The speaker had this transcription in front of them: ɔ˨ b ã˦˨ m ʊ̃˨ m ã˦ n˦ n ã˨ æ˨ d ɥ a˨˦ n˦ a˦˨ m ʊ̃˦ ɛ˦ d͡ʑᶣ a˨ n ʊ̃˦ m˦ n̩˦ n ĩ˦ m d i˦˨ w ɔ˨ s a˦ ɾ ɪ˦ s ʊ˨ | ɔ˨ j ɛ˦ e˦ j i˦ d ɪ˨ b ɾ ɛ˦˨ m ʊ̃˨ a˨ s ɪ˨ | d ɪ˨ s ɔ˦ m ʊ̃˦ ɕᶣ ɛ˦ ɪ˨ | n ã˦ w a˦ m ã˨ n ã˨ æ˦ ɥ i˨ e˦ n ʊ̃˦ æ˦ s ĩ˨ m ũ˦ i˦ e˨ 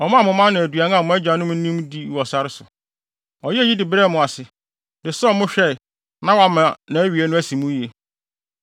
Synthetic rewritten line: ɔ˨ m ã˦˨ m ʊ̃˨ m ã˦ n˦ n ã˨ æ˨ d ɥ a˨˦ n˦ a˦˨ m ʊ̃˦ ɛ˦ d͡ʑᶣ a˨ n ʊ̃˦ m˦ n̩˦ n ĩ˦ m d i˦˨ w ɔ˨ s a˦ ɾ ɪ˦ s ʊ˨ | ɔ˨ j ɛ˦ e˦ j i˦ d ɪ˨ b ɾ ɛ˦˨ m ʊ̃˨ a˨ s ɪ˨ | d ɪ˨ s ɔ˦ m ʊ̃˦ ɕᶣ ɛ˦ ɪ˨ | n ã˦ w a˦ m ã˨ n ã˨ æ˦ ɥ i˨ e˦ n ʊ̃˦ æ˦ s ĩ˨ m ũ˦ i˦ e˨